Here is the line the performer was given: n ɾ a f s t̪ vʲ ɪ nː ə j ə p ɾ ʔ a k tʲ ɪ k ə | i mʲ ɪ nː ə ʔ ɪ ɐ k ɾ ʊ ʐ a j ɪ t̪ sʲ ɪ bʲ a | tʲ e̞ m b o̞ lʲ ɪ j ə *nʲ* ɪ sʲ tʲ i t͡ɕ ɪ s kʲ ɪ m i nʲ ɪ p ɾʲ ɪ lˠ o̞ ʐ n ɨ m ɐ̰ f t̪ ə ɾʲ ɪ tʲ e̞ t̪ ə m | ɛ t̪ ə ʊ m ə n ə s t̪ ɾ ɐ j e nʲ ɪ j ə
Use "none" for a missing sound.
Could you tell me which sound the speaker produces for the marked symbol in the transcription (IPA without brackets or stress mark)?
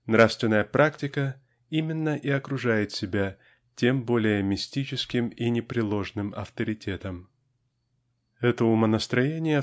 mʲ